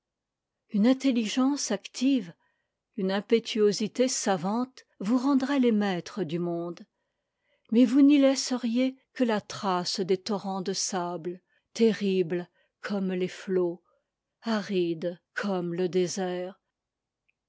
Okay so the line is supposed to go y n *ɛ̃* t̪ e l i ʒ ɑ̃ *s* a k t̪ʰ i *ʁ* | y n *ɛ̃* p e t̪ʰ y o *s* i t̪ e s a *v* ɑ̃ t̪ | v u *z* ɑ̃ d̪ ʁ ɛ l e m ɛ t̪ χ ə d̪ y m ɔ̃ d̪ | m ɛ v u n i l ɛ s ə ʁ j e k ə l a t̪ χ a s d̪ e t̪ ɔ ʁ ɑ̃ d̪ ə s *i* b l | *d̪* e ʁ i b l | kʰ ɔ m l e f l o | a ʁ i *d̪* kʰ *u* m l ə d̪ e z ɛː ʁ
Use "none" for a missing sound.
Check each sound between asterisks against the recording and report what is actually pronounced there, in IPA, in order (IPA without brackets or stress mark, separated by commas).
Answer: ɛ̃, s, v, ɛ̃, z, v, ʁ, a, t̪, d̪, ɔ